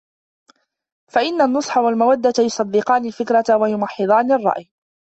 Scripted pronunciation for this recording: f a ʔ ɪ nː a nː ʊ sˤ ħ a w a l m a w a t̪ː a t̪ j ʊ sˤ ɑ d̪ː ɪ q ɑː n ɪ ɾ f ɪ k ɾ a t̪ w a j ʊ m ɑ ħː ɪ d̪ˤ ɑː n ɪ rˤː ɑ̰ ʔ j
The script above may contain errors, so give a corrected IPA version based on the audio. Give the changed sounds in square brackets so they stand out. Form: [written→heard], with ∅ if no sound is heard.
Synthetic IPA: f a ʔ ɪ nː a nː ʊ sˤ ħ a w a l m a w a [t̪ː→d̪ː] a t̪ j ʊ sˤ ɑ d̪ː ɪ q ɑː n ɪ [ɾ→l] f ɪ k ɾ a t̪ w a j ʊ m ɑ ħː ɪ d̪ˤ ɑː n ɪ rˤː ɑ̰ ʔ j